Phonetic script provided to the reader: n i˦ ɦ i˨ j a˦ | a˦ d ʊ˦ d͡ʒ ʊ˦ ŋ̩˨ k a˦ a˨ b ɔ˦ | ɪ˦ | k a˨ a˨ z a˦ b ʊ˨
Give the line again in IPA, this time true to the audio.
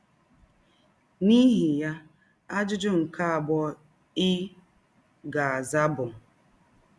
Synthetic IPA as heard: n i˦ ɦ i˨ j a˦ | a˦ d͡ʒ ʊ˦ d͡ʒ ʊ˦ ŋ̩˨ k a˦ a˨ b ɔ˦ | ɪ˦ | ɡ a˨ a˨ z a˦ b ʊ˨